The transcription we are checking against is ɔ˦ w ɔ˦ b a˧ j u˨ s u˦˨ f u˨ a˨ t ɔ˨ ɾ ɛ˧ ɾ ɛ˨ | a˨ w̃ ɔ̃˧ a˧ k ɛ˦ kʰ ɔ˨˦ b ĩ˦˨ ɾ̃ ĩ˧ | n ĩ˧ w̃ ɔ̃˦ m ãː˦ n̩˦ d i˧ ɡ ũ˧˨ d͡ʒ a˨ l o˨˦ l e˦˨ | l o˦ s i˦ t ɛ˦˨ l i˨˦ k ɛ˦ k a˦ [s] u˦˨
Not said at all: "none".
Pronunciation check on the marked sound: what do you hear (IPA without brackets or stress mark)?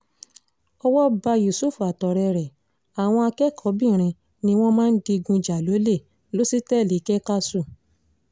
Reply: s